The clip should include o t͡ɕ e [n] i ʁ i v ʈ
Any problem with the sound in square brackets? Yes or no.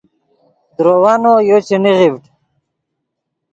no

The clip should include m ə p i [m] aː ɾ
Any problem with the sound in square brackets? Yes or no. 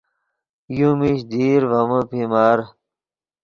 no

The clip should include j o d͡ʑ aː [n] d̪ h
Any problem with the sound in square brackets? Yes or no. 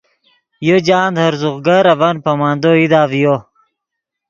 no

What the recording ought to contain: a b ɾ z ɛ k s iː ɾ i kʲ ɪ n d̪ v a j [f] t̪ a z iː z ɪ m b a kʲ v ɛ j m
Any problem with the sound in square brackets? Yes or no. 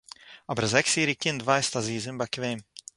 yes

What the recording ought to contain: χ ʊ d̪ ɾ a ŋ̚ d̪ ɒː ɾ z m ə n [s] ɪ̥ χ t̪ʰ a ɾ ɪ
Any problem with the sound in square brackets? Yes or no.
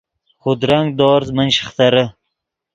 yes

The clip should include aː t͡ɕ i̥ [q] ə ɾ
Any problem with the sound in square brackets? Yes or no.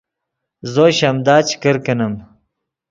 yes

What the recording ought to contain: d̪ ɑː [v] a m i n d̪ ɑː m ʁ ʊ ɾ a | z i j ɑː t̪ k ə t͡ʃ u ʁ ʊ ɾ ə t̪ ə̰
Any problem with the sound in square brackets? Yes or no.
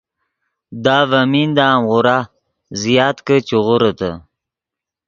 no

